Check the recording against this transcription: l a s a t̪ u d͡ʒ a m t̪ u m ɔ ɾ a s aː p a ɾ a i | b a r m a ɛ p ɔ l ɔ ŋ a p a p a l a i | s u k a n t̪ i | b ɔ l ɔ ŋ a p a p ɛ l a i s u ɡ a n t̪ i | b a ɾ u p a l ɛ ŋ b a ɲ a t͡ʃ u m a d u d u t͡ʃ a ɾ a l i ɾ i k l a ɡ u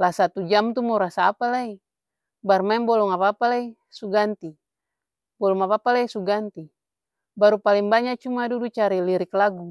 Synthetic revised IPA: l a s a t̪ u d͡ʒ a m t̪ u m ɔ ɾ a s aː p a l a i | b a r m a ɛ b ɔ l ɔ ŋ a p a p a l a i | s u ɡ a n t̪ i | b ɔ l ɔ ŋ a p a p a l a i s u ɡ a n t̪ i | b a ɾ u p a l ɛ ŋ b a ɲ a t͡ʃ u m a d u d u t͡ʃ a ɾ i l i ɾ i k l a ɡ u

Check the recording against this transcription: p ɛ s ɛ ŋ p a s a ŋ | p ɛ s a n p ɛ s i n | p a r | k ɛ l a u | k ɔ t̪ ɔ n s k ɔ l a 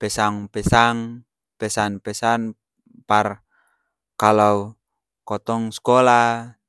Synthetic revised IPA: p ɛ s a ŋ p ɛ s a ŋ | p ɛ s a n p ɛ s a n | p a r | k a l a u | k ɔ t̪ ɔ ŋ s k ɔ l a

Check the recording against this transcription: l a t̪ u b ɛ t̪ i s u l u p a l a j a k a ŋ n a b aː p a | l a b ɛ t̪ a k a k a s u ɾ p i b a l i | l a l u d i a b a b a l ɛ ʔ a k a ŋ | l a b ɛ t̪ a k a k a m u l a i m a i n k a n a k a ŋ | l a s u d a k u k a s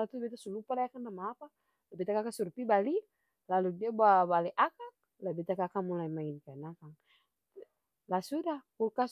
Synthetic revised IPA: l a t̪ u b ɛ t̪ a s u l u p a l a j a k a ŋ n a m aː p a | l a b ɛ t̪ a k a k a s u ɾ p i b a l i | l a l u d i a b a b a l ɛ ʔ a k a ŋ | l a b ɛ t̪ a k a k a m u l a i m a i n k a n a k a ŋ | l a s u d a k u k a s

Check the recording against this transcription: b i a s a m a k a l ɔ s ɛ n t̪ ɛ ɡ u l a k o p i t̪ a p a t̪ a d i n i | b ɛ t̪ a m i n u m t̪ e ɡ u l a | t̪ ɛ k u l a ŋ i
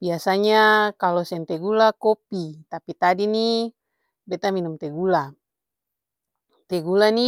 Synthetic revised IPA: b i a s a ɲ a k a l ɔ s ɛ n t̪ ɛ ɡ u l a k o p i t̪ a p i t̪ a d i n i | b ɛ t̪ a m i n u m t̪ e ɡ u l a | t̪ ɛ ɡ u l a n i

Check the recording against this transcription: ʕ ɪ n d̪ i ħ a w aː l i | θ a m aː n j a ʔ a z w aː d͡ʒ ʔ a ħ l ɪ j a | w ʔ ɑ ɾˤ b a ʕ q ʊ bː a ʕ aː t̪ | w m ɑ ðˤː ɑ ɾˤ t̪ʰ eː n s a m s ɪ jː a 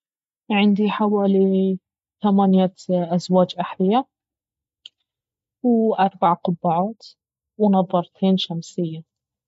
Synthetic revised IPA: ʕ ɪ n d̪ i ħ a w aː l i | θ a m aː n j a ʔ a z w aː d͡ʒ ʔ a ħ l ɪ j a | w ʔ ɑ ɾˤ b a ʕ q ʊ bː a ʕ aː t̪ | w n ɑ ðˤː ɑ ɾˤ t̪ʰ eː n ʃ a m s ɪ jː a

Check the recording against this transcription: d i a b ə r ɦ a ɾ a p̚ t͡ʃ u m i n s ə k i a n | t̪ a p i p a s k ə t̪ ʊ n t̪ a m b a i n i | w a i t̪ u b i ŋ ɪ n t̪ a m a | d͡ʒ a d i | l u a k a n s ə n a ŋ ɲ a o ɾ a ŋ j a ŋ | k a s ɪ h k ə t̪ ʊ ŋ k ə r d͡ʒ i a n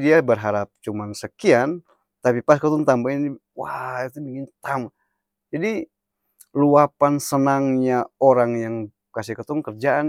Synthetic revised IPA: d i a b ə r ɦ a ɾ a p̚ t͡ʃ u m a n s ə k i a n | t̪ a p i p a s k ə t̪ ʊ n t̪ a m b a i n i | w a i t̪ u b i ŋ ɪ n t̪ a m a | d͡ʒ a d i | l u a p a n s ə n a ŋ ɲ a o ɾ a ŋ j a ŋ | k a s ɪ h k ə t̪ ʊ ŋ k ə r d͡ʒ a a n

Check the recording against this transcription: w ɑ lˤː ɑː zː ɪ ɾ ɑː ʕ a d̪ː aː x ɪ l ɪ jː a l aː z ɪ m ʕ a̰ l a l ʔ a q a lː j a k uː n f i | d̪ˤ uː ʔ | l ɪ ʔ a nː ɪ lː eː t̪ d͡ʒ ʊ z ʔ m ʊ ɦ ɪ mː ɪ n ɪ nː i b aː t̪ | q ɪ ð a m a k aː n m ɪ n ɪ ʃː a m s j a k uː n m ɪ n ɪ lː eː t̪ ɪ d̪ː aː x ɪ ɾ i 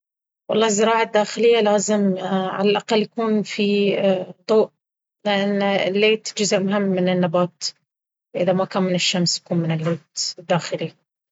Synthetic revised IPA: w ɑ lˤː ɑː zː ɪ ɾ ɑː ʕ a d̪ː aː x ɪ l ɪ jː a l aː z ɪ m ʕ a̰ l a l ʔ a q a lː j a k uː n f i | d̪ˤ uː ʔ | l ɪ ʔ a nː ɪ lː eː t̪ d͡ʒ ʊ z ʔ m ʊ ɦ ɪ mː ɪ n ɪ nː a b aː t̪ | ʔ ɪ ð a m a k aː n m ɪ n ɪ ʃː a m s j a k uː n m ɪ n ɪ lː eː t̪ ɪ d̪ː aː x ɪ l i

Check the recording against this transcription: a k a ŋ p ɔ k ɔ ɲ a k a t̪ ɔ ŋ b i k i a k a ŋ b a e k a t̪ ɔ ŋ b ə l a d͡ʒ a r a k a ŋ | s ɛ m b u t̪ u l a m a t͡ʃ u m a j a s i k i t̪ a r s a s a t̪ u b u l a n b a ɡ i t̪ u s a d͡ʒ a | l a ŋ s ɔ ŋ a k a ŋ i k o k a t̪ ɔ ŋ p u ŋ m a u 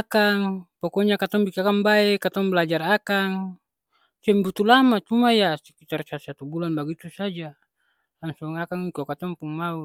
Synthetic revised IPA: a k a ŋ p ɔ k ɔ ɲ a k a t̪ ɔ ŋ b i k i a k a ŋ b a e k a t̪ ɔ ŋ b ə l a d͡ʒ a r a k a ŋ | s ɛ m b u t̪ u l a m a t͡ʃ u m a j a s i k i t̪ a r s a s a t̪ u b u l a n b a ɡ i t̪ u s a d͡ʒ a | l a ŋ s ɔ ŋ a k a ŋ i k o k a t̪ ɔ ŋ p u ŋ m a u

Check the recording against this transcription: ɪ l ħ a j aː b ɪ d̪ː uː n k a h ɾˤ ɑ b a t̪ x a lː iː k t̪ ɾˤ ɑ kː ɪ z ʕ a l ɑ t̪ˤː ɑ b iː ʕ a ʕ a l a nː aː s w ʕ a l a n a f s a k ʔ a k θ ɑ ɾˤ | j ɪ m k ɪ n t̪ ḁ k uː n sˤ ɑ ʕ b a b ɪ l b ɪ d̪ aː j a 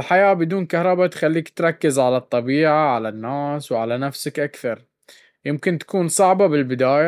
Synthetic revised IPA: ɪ l ħ a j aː b ɪ d̪ uː n k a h ɾˤ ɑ b a t̪ x a lː iː k t̪ ɾˤ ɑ kː ɪ z ʕ a l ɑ t̪ˤː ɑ b iː ʕ a ʕ a l a nː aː s w ʕ a l a n a f s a k ʔ a k θ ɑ ɾˤ | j ɪ m k ɪ n t̪ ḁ k uː n sˤ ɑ ʕ b a b ɪ l b ɪ d̪ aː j a

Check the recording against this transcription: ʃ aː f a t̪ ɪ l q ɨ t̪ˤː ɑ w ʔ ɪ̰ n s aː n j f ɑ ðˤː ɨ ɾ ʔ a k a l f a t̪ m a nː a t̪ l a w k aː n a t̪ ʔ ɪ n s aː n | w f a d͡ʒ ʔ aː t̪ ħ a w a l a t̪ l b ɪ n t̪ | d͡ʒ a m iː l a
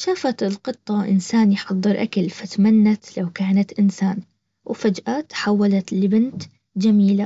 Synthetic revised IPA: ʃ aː f a t̪ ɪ l q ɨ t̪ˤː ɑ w ʔ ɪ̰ n s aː n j ħ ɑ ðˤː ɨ ɾ ʔ a k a l f a t̪ m a nː a t̪ l a w k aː n a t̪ ʔ ɪ n s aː n | w f a d͡ʒ ʔ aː t̪ ħ a wː a l a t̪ l b ɪ n t̪ | d͡ʒ a m iː l a

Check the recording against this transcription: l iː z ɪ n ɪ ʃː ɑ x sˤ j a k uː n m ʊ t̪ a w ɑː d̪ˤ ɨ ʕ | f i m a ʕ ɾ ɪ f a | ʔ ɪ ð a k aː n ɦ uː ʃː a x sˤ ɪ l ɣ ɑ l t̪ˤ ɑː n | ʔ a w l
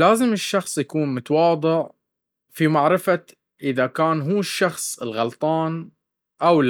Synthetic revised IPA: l aː z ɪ m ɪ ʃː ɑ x sˤ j a k uː n m ʊ t̪ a w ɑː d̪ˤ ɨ ʕ | f i m a ʕ ɾ ɪ f a | ʔ ɪ ð a k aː n ɦ uː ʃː ɑ x sˤ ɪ l ɣ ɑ l t̪ˤ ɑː n | ʔ a w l

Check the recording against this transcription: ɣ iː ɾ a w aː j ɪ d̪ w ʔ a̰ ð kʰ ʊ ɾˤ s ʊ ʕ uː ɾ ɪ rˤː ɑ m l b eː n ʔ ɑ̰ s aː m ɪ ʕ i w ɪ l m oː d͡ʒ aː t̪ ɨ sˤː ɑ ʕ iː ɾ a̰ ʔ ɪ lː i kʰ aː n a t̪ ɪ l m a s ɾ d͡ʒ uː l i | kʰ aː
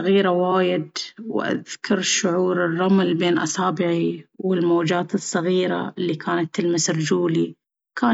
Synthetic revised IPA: ɣ iː ɾ a w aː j ɪ d̪ w ʔ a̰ ð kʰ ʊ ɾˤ ʃ ʊ ʕ uː ɾ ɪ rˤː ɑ m l b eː n ʔ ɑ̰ s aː b ɪ ʕ i w ɪ l m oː d͡ʒ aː t̪ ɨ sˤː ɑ ɣ iː ɾ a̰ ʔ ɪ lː i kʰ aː n a t̪ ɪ l m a s ɾ d͡ʒ uː l i | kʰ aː

